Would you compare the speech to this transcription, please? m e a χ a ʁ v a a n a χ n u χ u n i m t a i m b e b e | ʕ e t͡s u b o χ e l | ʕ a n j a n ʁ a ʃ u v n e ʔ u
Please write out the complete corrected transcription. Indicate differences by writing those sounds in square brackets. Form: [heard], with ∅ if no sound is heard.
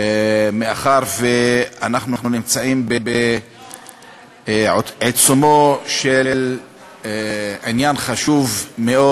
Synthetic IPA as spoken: m e a χ a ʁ v [e] a n a χ n u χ u n i m [t͡s] a i m b e b e | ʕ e t͡s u [m] o [ʃ] e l | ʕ [i] n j a n [χ] a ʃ u v [m] e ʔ [o]